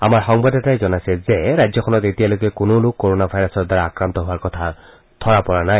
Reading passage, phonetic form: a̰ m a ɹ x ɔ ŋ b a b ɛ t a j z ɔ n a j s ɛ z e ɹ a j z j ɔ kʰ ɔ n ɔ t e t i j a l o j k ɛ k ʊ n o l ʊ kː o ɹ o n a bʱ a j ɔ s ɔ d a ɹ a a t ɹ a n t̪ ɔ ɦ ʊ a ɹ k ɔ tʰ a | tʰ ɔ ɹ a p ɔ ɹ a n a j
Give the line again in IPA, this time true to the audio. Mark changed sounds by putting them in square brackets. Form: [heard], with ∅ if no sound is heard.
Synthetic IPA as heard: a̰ m a ɹ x ɔ ŋ b a [d] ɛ t a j z ɔ n a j s ɛ z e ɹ a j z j ɔ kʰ ɔ n ɔ t e t i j a l o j k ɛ k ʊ n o l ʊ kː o ɹ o n a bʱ a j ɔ s ɔ d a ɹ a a [k] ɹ a n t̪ ɔ ɦ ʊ a ɹ k ɔ tʰ a | tʰ ɔ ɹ a p ɔ ɹ a n a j